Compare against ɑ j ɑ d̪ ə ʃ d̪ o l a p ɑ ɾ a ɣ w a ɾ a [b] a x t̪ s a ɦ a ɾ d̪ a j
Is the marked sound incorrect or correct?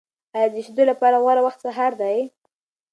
incorrect: w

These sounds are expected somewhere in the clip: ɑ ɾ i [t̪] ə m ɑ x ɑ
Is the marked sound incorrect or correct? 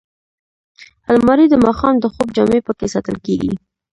incorrect: d̪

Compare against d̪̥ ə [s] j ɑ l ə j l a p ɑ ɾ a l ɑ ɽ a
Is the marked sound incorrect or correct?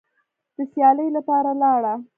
correct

